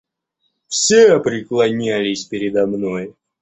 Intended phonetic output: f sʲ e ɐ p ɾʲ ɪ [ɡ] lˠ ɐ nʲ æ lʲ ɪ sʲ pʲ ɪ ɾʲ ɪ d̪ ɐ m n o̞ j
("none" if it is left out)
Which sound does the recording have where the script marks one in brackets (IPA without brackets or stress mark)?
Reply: k